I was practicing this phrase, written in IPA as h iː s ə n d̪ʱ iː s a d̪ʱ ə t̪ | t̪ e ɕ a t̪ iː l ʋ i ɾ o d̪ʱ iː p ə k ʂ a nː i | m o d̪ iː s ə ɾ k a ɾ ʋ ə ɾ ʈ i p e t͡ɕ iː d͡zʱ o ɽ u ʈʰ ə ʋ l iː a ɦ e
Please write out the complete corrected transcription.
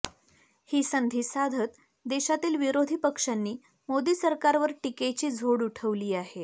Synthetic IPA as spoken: h iː s ə n d̪ʱ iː s a d̪ʱ ə t̪ | d̪ e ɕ a t̪ iː l ʋ i ɾ o d̪ʱ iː p ə k ʂ a nː iː | m o d̪ iː s ə ɾ k a ɾ ʋ ə ɾ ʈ i k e t͡ɕ iː d͡zʱ o ɽ u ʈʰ ə ʋ l iː a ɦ e